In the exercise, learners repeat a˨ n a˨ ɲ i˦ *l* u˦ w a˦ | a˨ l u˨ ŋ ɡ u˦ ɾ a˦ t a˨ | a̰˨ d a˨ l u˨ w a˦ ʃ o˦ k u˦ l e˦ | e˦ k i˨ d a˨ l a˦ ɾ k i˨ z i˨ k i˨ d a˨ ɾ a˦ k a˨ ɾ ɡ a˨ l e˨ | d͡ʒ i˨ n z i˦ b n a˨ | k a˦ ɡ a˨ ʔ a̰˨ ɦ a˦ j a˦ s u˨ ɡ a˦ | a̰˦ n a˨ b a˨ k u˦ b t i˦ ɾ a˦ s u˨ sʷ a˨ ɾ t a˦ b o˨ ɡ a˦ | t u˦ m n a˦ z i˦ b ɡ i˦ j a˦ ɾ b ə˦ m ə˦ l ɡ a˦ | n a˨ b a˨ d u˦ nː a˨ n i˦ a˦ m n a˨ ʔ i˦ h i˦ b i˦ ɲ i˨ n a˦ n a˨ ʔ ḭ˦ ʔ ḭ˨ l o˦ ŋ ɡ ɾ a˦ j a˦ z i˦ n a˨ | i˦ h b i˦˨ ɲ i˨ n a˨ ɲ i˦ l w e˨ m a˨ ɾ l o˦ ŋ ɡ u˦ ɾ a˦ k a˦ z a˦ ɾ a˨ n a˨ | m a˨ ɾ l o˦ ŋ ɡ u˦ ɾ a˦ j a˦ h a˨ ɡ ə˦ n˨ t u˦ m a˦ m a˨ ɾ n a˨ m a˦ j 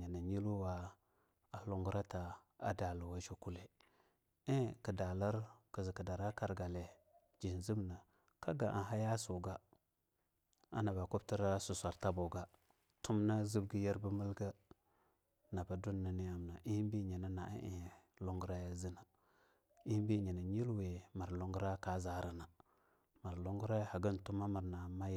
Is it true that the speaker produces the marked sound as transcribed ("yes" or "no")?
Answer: yes